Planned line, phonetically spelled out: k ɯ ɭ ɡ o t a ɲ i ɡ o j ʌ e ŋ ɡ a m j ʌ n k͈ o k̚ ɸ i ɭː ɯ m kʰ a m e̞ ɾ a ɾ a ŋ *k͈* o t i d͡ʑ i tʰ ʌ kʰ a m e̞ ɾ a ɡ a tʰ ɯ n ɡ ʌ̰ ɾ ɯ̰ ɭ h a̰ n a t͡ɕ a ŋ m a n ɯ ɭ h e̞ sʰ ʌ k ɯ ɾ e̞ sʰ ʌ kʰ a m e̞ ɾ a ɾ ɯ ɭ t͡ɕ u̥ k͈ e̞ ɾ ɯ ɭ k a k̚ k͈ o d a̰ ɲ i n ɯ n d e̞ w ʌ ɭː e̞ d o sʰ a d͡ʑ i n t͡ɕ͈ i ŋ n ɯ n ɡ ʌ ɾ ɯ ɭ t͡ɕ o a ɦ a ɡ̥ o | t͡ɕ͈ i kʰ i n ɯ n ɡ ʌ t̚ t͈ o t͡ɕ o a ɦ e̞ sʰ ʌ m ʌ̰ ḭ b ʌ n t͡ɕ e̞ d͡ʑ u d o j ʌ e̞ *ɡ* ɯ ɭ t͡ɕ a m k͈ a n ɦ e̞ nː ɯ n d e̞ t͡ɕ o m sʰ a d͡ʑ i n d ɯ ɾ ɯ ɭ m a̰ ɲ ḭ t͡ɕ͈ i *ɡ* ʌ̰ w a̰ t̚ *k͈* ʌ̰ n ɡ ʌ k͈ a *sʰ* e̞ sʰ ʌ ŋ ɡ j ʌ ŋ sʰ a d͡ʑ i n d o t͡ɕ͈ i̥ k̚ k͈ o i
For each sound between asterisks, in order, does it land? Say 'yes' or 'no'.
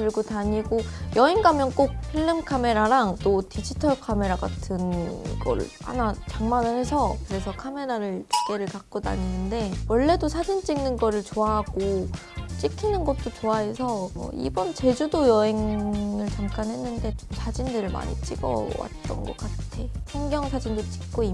no, no, yes, no, no

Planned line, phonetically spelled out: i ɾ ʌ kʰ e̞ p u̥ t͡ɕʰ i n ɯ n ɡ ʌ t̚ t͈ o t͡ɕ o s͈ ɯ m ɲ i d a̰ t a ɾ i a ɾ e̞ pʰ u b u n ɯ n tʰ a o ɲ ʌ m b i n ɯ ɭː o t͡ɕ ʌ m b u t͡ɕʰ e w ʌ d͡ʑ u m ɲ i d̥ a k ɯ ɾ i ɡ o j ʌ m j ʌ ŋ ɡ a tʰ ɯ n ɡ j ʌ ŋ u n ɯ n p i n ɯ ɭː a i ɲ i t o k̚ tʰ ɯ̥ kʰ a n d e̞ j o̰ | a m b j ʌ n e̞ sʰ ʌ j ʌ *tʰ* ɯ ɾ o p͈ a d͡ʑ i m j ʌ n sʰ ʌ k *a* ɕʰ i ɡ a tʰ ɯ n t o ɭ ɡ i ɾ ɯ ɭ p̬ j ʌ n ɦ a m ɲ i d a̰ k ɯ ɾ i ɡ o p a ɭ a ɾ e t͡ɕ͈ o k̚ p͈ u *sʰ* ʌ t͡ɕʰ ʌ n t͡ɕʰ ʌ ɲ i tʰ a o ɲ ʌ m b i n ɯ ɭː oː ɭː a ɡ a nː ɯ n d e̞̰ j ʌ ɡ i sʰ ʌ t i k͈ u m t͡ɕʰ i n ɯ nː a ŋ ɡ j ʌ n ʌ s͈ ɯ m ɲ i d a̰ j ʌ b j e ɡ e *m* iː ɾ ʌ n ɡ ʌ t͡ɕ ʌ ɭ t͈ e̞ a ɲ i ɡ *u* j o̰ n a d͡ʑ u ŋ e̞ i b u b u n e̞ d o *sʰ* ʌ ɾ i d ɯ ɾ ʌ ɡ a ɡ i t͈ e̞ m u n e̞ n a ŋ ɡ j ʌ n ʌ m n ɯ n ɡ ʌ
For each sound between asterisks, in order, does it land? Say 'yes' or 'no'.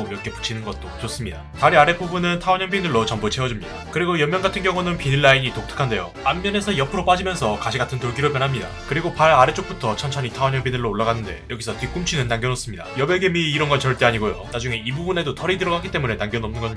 no, yes, no, yes, no, no

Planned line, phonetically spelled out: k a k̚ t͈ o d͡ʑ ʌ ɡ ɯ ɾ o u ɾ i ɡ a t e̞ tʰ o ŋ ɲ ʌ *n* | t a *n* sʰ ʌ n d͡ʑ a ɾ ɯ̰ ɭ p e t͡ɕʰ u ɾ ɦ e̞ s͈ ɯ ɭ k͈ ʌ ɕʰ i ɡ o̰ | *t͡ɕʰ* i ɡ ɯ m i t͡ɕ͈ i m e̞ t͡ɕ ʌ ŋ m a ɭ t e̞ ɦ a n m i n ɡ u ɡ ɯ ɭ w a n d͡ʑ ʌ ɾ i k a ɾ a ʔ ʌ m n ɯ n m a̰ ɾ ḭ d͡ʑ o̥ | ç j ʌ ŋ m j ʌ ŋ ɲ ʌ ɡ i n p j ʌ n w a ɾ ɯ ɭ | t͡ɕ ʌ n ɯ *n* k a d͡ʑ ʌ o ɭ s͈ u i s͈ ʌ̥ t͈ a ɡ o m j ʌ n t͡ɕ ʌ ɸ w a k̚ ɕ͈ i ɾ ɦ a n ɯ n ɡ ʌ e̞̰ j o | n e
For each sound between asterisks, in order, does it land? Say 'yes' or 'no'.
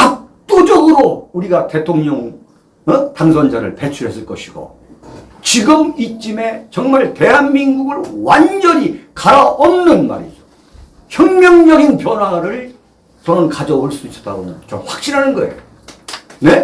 no, no, no, yes

